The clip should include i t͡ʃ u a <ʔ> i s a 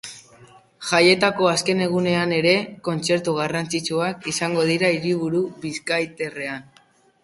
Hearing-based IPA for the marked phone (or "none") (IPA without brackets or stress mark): k